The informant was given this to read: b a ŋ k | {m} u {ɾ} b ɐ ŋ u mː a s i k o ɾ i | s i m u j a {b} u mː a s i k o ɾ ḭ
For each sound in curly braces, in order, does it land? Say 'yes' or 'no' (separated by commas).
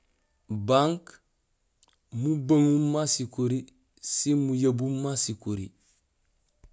yes, no, yes